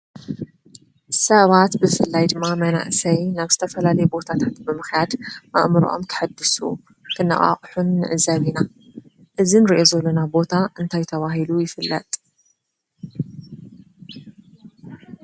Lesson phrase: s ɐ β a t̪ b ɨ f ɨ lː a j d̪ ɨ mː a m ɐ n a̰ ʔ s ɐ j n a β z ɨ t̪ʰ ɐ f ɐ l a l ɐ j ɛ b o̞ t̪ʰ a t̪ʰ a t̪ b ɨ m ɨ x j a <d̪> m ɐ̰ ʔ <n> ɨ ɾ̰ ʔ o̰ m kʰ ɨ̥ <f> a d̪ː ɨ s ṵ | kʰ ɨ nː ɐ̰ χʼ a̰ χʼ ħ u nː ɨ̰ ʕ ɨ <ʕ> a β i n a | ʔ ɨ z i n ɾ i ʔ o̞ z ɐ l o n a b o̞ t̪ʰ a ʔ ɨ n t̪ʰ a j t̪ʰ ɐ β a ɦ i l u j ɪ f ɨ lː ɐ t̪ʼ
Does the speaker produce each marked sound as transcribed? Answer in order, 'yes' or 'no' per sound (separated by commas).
yes, no, no, no